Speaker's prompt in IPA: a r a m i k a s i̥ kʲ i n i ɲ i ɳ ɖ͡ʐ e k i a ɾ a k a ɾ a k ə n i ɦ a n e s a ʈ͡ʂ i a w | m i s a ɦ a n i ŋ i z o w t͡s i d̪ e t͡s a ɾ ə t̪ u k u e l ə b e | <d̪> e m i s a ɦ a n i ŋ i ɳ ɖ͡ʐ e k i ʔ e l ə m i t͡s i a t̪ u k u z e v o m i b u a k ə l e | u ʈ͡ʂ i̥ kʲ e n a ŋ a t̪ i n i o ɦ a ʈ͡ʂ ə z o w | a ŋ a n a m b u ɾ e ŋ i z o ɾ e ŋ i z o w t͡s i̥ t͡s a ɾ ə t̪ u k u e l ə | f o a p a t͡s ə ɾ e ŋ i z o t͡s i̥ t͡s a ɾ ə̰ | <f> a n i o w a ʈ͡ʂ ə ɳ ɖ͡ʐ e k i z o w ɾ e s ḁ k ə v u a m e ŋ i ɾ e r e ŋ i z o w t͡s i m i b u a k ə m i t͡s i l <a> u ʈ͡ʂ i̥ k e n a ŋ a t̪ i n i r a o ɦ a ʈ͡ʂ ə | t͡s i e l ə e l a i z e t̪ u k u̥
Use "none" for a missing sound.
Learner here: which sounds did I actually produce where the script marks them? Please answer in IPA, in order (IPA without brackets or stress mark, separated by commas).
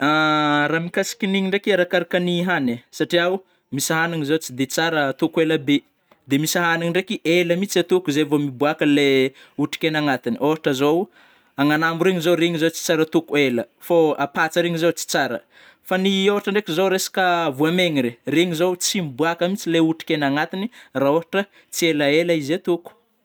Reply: d̪, f, e